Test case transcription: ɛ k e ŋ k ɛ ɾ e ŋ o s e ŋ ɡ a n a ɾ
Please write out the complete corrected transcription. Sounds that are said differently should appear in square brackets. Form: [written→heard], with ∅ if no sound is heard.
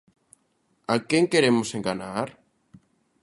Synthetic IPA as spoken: [ɛ→a] k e ŋ k [ɛ→e] ɾ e [ŋ→m] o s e ŋ ɡ a n a ɾ